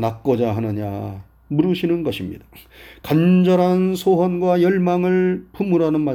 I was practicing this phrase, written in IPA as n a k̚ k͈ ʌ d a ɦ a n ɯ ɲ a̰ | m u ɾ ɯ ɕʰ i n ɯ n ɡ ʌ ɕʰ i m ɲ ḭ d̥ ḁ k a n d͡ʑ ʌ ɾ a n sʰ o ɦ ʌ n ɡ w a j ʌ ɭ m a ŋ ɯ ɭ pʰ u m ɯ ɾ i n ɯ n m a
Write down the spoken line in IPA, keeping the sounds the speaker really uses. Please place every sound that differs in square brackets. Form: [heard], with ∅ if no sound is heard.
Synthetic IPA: n a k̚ k͈ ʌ [d͡ʑ] a ɦ a n ɯ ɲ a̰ | m u ɾ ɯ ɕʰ i n ɯ n ɡ ʌ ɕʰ i m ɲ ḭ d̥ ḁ k a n d͡ʑ ʌ ɾ a n sʰ o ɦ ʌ n ɡ w a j ʌ ɭ m a ŋ ɯ ɭ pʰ u m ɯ ɾ [a] n ɯ n m a